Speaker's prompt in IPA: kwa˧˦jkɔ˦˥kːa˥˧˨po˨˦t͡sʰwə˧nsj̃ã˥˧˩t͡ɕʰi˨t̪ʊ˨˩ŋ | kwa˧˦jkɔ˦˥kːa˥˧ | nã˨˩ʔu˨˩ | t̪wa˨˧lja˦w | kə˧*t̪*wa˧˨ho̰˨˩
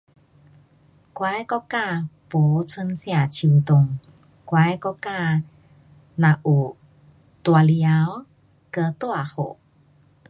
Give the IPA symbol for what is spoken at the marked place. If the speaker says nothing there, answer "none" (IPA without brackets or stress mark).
t̪